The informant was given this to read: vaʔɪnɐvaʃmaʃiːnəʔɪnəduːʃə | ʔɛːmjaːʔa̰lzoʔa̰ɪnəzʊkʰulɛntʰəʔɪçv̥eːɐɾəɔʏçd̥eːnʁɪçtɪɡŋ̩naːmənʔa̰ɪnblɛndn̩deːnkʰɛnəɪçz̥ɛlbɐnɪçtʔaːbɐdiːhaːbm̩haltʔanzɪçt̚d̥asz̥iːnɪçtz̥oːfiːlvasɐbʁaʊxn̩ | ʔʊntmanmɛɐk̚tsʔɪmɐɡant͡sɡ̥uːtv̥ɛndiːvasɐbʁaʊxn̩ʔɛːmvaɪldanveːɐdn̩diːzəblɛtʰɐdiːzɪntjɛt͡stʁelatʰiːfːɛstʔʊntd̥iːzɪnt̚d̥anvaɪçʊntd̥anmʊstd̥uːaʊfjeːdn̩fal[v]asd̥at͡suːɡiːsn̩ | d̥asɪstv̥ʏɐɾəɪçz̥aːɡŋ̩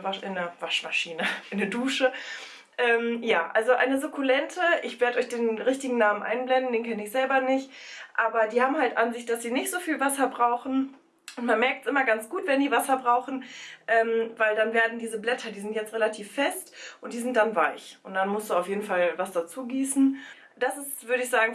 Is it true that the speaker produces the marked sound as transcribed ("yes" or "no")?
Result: yes